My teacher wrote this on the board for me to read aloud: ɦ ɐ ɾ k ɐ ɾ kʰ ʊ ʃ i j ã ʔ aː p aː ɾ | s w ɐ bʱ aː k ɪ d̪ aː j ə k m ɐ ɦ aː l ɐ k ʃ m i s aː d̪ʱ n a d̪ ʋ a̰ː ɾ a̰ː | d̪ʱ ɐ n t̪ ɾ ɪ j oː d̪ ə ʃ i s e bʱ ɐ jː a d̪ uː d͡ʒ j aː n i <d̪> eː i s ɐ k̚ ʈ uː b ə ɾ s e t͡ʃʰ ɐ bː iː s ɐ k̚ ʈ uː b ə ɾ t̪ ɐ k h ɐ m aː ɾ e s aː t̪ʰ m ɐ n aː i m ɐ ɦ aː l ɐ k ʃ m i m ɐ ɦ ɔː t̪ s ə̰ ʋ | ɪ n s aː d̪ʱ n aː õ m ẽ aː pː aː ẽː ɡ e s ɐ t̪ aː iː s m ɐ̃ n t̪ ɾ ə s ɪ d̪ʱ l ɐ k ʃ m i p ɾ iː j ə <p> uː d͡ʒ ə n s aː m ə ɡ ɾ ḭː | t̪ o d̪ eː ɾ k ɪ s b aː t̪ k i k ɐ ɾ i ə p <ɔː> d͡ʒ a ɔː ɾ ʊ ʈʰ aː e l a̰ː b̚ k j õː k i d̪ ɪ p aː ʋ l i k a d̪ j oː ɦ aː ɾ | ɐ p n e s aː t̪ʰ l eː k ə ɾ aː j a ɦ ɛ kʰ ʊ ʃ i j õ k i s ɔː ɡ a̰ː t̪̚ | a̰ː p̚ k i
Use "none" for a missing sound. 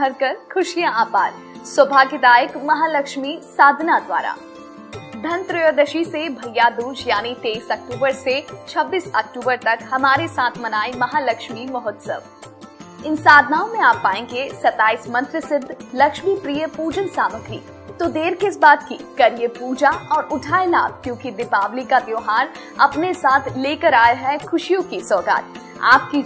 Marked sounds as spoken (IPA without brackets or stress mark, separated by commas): t̪, p, uː